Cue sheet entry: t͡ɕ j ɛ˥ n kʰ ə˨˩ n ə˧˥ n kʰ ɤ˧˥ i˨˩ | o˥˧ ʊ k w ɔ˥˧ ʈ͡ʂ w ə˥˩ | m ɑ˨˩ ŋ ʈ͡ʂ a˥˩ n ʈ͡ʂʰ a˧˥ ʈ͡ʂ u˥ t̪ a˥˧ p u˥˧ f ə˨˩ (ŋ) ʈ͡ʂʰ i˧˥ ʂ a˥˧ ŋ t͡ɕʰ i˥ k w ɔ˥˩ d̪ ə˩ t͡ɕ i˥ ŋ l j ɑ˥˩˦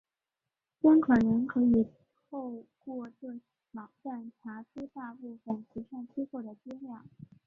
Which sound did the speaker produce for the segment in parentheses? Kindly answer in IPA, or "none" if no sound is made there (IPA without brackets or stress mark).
n